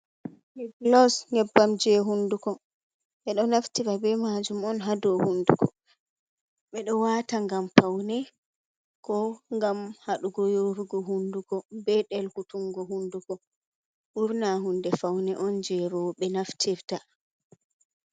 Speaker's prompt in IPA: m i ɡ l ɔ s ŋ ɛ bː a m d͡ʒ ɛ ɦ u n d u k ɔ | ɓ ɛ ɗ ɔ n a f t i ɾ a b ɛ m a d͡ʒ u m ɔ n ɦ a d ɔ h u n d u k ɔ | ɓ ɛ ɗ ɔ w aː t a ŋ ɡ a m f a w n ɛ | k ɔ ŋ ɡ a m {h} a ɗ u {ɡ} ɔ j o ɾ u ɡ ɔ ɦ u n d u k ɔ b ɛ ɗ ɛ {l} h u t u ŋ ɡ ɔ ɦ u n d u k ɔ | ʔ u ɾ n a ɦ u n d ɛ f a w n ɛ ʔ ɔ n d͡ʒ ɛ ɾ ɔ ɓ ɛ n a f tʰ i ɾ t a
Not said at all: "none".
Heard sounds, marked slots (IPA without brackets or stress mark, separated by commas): h, ɡ, l